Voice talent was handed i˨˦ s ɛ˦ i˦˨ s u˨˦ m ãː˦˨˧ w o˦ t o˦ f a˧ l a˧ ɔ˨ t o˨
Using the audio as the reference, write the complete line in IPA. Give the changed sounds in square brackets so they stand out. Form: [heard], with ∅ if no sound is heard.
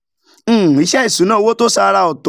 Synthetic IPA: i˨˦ [ʃ] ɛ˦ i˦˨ s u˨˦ [n] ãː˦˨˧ w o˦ t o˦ [s] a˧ [ɾ] a˧ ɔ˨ t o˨